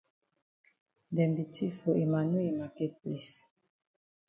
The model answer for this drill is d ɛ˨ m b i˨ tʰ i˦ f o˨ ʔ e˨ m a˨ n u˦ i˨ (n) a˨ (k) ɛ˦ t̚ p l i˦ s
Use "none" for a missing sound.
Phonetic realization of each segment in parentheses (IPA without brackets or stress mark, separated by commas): m, k